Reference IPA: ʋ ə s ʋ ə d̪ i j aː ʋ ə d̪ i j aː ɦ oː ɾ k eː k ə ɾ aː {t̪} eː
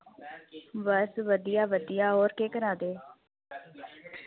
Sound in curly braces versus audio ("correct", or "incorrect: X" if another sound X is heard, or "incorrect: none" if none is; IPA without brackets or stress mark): incorrect: d̪